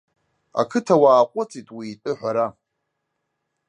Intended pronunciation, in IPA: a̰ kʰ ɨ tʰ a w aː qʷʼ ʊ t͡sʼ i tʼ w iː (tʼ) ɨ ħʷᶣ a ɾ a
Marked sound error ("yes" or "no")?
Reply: no